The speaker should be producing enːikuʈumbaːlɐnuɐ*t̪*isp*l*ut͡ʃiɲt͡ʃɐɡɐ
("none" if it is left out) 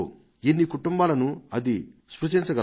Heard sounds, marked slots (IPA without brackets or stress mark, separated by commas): d̪, ɾ